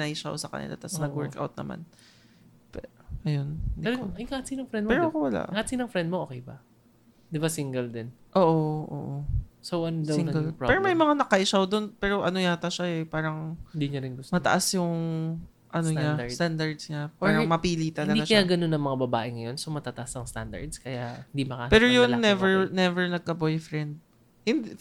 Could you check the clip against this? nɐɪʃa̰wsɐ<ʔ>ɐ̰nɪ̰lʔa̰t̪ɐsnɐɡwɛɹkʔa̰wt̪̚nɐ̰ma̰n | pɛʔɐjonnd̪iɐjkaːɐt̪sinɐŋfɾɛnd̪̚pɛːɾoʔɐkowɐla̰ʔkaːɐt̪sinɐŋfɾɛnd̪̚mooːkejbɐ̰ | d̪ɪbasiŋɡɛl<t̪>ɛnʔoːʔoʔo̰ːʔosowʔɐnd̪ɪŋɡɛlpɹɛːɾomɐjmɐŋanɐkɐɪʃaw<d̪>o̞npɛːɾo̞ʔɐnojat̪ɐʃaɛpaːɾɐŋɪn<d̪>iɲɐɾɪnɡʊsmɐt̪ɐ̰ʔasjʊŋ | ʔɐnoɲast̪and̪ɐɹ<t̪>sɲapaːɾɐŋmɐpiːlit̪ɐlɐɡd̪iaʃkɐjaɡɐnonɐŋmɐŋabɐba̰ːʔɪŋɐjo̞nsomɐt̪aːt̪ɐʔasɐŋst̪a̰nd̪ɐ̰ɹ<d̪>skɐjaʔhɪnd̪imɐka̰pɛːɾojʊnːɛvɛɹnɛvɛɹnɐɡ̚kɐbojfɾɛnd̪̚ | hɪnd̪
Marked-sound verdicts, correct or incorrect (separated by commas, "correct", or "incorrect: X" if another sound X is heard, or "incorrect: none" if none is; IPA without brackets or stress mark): incorrect: k, incorrect: d̪, correct, correct, incorrect: d̪, correct